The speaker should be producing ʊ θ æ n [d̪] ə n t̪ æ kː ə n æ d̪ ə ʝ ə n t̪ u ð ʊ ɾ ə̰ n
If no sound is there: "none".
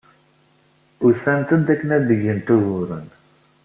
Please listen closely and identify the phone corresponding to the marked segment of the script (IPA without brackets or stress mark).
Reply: t̪